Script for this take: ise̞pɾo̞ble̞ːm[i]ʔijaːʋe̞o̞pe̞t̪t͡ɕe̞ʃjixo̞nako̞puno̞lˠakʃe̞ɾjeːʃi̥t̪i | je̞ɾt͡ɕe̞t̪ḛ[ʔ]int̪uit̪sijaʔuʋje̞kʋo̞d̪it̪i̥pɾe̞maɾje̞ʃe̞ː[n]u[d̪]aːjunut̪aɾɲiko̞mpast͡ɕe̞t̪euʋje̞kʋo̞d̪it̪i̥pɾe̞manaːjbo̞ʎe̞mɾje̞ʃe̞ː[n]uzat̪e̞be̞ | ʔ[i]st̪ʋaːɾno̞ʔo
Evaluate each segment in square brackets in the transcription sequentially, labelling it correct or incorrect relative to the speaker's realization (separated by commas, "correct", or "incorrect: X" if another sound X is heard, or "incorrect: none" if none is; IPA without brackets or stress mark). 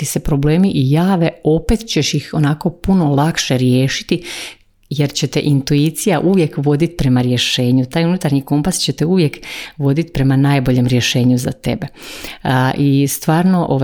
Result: correct, correct, incorrect: ɲ, incorrect: t̪, incorrect: ɲ, correct